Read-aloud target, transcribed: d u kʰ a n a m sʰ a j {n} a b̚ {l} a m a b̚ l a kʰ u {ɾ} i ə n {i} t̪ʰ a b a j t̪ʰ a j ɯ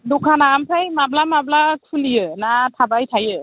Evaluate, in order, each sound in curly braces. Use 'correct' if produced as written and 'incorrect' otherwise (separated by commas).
incorrect, correct, incorrect, incorrect